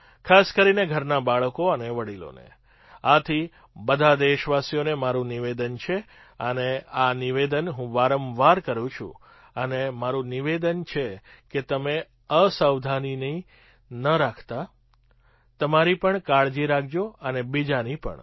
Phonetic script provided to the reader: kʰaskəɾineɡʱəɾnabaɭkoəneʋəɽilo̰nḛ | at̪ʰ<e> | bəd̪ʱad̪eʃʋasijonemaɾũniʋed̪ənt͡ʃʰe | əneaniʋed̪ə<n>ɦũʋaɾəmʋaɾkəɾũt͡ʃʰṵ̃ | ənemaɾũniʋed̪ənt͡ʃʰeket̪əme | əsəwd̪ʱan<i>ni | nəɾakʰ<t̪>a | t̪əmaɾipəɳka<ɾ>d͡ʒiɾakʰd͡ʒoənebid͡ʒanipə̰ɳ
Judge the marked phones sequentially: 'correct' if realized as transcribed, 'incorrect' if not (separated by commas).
incorrect, correct, correct, correct, incorrect